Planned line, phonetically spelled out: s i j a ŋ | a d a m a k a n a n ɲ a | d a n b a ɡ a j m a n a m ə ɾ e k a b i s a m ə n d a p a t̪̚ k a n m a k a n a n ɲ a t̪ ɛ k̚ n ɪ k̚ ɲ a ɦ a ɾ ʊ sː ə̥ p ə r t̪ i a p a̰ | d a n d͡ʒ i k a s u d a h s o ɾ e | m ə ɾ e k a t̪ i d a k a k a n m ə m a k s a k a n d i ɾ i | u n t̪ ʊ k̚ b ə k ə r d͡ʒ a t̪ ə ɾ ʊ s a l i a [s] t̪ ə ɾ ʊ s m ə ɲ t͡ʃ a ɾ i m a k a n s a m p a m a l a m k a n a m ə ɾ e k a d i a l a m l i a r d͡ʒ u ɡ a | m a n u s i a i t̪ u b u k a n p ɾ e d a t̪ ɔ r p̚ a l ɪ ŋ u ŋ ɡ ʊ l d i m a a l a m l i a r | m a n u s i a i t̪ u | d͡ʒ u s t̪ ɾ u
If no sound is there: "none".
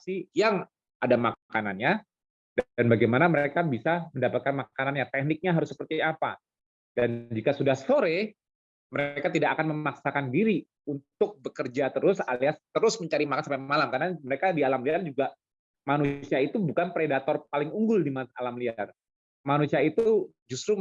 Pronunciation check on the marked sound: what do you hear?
s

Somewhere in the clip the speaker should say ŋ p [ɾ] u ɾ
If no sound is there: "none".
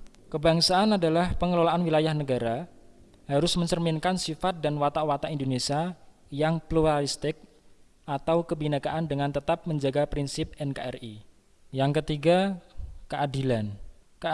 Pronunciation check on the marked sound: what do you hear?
l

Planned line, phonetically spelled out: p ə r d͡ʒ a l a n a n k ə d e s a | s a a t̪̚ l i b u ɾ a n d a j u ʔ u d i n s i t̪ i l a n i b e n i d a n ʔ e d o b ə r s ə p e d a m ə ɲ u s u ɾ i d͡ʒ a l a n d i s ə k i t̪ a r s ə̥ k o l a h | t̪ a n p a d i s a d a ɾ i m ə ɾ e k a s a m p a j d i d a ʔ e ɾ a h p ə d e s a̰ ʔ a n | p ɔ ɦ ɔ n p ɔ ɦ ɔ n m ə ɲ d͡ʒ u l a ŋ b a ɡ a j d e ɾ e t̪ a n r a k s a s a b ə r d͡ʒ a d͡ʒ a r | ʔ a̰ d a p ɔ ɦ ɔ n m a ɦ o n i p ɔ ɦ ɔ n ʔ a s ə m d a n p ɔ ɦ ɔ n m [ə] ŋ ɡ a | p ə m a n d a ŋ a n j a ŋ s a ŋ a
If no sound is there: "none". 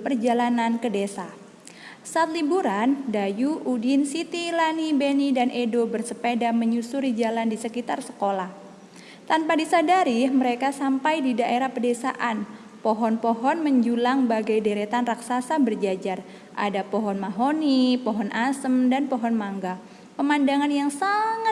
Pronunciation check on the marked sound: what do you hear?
a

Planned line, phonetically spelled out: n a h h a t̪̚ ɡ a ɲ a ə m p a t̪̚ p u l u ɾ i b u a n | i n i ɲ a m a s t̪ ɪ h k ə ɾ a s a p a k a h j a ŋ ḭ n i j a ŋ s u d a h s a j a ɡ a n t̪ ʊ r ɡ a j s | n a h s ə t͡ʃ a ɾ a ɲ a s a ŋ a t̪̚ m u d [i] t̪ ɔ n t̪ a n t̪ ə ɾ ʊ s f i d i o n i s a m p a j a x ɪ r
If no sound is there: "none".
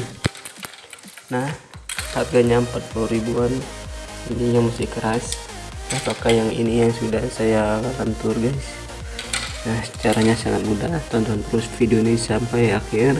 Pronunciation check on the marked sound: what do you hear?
a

